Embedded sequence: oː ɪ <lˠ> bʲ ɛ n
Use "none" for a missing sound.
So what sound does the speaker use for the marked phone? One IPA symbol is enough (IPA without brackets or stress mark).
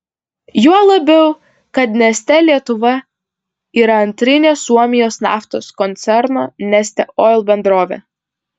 lˠ